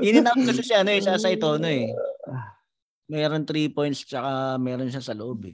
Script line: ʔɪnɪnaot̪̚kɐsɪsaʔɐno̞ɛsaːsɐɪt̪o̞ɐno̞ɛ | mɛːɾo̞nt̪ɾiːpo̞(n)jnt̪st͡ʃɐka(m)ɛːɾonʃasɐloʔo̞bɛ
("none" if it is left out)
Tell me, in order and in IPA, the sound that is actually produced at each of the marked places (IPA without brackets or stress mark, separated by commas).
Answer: none, m